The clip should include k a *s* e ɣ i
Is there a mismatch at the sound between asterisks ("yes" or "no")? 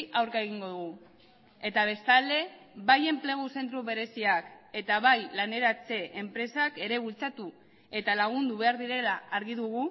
yes